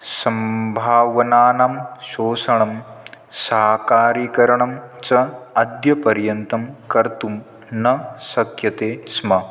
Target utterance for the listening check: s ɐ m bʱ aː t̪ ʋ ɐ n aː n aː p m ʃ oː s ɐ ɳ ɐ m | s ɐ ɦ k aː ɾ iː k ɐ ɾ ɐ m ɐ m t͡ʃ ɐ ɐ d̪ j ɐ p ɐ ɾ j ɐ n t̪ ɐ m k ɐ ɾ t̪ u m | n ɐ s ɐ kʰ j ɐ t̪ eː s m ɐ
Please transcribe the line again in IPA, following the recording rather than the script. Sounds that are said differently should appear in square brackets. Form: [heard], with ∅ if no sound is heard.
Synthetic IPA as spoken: s ɐ m bʱ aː [∅] ʋ ɐ n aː n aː [∅] m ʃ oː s ɐ ɳ ɐ m | s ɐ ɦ k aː ɾ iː k ɐ ɾ ɐ [ɳ] ɐ m t͡ʃ ɐ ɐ d̪ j ɐ p ɐ ɾ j ɐ n t̪ ɐ m k ɐ ɾ t̪ u m | n ɐ s ɐ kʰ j ɐ t̪ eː s m ɐ

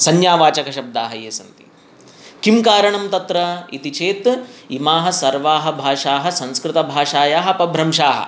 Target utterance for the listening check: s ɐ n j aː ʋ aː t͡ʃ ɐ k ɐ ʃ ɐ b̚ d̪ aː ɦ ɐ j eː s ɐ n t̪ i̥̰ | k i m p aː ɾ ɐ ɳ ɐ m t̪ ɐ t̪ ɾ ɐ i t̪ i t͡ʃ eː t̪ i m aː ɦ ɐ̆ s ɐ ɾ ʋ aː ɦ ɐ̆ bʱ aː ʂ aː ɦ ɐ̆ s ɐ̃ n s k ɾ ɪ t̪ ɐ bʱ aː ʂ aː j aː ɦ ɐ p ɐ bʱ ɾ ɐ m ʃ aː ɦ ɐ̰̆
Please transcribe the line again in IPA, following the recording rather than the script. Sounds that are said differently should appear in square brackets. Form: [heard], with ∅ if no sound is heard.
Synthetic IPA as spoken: s ɐ n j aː ʋ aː t͡ʃ ɐ k ɐ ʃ ɐ b̚ d̪ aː ɦ ɐ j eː s ɐ n t̪ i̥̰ | k i m [k] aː ɾ ɐ ɳ ɐ m t̪ ɐ t̪ ɾ ɐ i t̪ i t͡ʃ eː t̪ i m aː ɦ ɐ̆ s ɐ ɾ ʋ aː ɦ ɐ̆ bʱ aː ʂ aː ɦ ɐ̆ s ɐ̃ n s k ɾ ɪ t̪ ɐ bʱ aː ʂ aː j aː ɦ ɐ p ɐ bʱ ɾ ɐ m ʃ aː ɦ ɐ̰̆

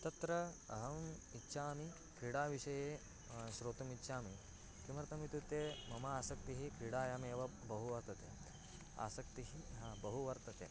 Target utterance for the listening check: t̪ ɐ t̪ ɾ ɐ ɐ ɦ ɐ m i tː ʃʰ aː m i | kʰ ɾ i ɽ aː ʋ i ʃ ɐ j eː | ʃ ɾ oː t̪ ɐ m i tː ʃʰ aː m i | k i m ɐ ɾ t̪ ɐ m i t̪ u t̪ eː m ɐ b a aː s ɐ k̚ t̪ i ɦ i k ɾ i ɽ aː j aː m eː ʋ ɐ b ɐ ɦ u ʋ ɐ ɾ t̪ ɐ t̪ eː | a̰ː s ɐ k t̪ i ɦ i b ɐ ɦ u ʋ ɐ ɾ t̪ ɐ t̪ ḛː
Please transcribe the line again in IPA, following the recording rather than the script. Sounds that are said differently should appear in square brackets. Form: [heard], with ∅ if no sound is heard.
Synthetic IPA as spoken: t̪ ɐ t̪ ɾ ɐ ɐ ɦ ɐ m i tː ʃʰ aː m i | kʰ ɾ i ɽ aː ʋ i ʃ ɐ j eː | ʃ ɾ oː t̪ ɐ m i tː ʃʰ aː m i | k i m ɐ ɾ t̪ ɐ m i t̪ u t̪ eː m ɐ [m] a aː s ɐ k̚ t̪ i ɦ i k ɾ i ɽ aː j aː m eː ʋ ɐ b ɐ ɦ u ʋ ɐ ɾ t̪ ɐ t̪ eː | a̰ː s ɐ k t̪ i ɦ i b ɐ ɦ u ʋ ɐ ɾ t̪ ɐ t̪ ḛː

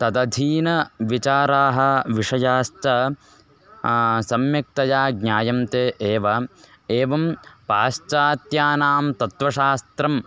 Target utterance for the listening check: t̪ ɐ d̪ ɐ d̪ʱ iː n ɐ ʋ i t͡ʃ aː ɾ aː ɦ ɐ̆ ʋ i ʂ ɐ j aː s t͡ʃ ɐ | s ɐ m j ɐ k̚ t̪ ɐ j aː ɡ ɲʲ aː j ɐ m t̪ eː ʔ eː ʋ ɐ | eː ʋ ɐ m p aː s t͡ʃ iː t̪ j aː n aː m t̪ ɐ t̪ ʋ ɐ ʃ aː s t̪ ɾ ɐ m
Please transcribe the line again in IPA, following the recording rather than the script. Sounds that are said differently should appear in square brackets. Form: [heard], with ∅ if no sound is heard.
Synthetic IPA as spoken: t̪ ɐ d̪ ɐ d̪ʱ iː n ɐ ʋ i t͡ʃ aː ɾ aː ɦ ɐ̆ ʋ i ʂ ɐ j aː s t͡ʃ ɐ | s ɐ m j ɐ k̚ t̪ ɐ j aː ɡ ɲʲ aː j ɐ m t̪ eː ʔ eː ʋ ɐ | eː ʋ ɐ m p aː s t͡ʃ [aː] t̪ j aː n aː m t̪ ɐ t̪ ʋ ɐ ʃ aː s t̪ ɾ ɐ m

